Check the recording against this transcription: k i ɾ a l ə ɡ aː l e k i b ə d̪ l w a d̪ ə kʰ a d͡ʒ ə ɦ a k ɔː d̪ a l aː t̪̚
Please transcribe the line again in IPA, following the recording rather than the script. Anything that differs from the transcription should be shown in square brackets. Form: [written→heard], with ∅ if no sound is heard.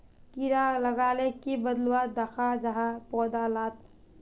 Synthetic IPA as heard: k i ɾ a l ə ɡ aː l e k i b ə d̪ l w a d̪ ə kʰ a d͡ʒ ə ɦ a [k→p] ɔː d̪ a l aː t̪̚